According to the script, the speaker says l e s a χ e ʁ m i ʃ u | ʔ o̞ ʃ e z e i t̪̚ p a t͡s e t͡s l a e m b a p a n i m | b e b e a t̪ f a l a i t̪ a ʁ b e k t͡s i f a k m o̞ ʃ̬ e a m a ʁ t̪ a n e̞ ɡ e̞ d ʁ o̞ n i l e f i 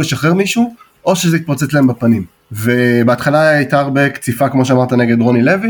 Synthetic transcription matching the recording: l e ʃ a χ e ʁ m i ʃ u | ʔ o̞ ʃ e z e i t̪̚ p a t͡s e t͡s l a e m b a p a n i m | v e b e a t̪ χ a l a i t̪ a ʁ b e k t͡s i f a k m o̞ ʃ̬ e a m a ʁ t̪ a n e̞ ɡ e̞ d ʁ o̞ n i l e v i